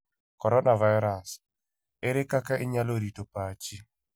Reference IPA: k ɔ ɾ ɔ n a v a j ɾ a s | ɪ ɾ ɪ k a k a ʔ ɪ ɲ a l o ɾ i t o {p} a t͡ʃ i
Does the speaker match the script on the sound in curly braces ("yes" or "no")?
yes